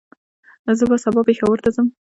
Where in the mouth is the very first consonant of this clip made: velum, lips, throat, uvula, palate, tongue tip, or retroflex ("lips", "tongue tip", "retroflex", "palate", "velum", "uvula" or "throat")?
tongue tip